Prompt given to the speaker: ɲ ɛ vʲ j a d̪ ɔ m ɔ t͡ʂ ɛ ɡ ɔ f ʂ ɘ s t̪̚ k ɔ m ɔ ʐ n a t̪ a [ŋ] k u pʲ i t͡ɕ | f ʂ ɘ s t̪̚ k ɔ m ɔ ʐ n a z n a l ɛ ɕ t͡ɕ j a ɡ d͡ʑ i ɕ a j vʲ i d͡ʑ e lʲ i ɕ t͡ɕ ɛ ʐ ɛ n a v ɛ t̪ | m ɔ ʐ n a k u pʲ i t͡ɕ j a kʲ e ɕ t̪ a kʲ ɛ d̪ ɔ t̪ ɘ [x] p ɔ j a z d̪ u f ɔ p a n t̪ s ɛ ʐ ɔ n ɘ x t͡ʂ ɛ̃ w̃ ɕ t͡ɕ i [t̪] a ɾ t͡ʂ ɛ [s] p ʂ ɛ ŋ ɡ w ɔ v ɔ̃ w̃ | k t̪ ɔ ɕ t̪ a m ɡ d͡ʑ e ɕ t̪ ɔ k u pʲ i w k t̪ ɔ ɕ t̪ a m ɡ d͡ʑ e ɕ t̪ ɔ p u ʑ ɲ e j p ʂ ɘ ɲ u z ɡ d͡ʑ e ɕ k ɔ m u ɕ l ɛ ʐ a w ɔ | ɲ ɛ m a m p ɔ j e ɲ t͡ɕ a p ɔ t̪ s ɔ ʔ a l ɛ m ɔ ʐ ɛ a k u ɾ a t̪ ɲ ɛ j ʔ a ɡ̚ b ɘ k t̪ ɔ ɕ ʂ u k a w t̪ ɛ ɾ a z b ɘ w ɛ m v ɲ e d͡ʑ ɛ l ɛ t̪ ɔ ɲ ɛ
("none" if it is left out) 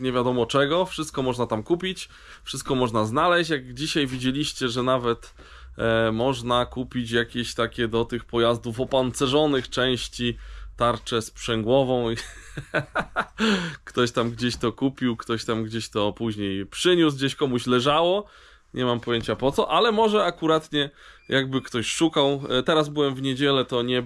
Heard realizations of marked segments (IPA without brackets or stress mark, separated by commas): m, x, t̪, s